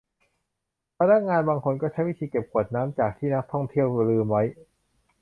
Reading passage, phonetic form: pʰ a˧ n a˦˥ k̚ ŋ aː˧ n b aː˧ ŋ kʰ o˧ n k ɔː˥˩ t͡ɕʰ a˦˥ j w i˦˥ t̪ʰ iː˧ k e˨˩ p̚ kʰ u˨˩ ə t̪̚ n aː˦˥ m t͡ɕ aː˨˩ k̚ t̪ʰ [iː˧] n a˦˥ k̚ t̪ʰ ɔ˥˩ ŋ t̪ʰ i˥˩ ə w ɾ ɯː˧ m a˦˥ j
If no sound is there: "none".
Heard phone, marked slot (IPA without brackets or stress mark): iː˥˩